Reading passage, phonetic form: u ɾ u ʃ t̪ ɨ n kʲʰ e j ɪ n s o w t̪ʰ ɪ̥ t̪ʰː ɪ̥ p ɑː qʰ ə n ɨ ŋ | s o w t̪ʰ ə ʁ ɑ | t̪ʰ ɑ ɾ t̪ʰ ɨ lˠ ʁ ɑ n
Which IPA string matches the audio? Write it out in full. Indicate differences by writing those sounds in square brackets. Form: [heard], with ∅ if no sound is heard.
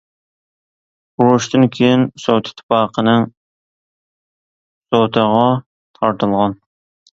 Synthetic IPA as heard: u ɾ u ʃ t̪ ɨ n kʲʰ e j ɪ n s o w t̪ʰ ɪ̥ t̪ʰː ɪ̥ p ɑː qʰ ə n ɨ ŋ | s o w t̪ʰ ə ʁ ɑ | t̪ʰ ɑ ɾ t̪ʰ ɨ lˠ ʁ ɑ n